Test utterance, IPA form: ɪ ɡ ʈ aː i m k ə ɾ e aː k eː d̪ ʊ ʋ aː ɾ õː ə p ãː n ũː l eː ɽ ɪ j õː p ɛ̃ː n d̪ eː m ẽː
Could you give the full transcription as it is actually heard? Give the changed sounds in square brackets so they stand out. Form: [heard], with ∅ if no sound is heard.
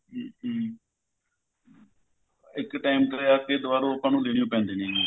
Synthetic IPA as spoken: ɪ [k] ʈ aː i m k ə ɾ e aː k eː d̪ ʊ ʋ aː ɾ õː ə p ãː n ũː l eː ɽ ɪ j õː p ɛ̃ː n d̪ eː [n] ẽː

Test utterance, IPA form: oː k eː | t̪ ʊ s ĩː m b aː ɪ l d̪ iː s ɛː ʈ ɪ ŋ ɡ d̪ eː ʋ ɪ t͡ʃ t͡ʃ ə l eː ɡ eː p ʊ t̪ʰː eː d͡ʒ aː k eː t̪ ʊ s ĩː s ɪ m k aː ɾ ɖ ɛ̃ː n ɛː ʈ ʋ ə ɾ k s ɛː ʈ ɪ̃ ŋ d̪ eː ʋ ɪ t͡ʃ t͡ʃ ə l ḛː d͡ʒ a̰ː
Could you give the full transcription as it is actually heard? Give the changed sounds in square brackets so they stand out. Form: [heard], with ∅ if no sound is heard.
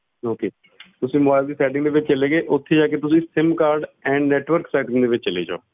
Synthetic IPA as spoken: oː k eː | t̪ ʊ s ĩː m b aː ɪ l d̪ iː s ɛː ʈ ɪ ŋ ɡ d̪ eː ʋ ɪ t͡ʃ t͡ʃ ə l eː ɡ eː [ʔ] ʊ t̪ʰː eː d͡ʒ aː k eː t̪ ʊ s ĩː s ɪ m k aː ɾ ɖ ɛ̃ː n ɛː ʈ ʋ ə ɾ k s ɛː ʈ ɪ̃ ŋ d̪ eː ʋ ɪ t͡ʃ t͡ʃ ə l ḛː d͡ʒ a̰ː

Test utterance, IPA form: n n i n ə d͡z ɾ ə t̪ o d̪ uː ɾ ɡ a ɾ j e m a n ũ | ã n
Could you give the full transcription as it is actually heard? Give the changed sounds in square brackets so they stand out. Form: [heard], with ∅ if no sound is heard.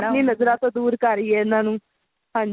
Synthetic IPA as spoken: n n i n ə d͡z ɾ [a] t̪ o d̪ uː ɾ [k] a ɾ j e [n] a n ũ | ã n

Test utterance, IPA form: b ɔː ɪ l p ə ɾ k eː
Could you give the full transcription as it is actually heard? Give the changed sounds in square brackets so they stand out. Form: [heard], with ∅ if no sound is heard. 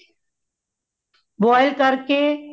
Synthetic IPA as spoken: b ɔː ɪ l [k] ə ɾ k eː

